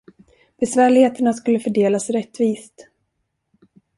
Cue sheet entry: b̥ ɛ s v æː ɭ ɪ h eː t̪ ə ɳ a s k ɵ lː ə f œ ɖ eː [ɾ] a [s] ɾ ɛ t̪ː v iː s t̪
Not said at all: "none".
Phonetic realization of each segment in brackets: l, s

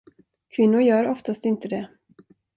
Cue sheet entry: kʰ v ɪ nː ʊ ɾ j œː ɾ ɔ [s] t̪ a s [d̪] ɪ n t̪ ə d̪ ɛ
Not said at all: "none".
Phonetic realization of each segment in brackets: f, t̪

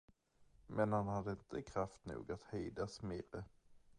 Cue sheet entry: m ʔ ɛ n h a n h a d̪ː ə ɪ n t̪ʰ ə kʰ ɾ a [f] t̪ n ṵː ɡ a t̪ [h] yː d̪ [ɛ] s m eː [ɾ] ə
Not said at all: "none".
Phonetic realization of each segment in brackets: f, h, a, ɾ

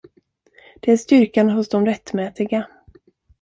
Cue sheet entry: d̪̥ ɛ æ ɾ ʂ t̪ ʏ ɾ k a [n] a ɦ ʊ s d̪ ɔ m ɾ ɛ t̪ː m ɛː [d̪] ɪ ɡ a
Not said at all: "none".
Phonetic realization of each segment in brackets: n, t̪

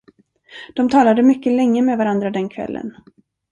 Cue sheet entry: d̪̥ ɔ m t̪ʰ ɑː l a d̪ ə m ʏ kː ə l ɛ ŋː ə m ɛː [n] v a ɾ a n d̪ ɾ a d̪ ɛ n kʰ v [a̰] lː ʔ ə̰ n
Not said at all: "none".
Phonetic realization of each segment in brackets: none, ɛ̰

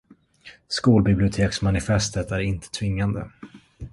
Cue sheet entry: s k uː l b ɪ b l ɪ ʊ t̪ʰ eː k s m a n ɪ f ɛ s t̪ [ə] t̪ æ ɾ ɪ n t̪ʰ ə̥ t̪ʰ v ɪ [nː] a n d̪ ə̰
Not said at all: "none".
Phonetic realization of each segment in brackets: ə, ŋː

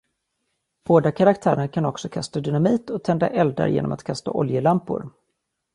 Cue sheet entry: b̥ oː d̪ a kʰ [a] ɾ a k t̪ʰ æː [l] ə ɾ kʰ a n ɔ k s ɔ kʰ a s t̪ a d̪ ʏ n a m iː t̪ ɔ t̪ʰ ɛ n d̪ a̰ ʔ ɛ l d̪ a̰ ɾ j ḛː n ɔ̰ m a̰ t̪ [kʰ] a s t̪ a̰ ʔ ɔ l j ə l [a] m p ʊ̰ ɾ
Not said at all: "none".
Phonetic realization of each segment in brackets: a, ɾ, kʰ, a

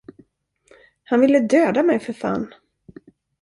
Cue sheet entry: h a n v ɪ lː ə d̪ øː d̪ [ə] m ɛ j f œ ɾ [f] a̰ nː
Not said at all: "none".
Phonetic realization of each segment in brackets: a, f

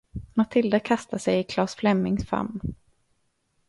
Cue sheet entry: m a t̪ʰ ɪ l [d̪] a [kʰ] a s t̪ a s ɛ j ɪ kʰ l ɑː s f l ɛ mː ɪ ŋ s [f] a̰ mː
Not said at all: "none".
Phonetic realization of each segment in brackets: d̪, kʰ, f

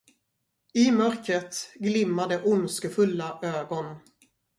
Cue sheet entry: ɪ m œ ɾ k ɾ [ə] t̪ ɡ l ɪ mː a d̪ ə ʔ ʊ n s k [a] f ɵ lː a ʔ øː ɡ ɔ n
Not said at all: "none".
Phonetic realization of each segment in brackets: ə, ə

